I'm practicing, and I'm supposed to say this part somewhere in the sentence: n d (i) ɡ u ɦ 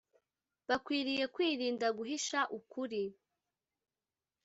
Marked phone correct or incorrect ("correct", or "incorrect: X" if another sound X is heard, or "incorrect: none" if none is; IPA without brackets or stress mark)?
incorrect: a